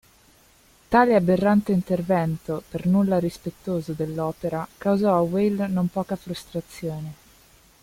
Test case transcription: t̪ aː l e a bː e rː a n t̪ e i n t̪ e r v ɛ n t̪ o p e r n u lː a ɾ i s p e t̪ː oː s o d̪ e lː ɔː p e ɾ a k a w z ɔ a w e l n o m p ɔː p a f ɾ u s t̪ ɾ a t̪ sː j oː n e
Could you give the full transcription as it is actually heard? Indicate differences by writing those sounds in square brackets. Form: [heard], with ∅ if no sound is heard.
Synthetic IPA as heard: t̪ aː l e a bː e rː a n t̪ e i n t̪ e r v ɛ n t̪ o p e r n u lː a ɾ i s p e t̪ː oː [z] o d̪ e lː ɔː p e ɾ a k a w z ɔ a w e l n o m p ɔː [k] a f ɾ u s t̪ ɾ a t̪ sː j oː n e